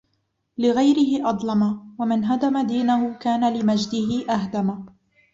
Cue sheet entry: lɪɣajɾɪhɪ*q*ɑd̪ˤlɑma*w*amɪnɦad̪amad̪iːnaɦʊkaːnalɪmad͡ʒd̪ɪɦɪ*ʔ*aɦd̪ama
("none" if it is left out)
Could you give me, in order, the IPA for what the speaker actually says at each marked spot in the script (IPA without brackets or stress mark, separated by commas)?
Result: ʔ, w, ʔ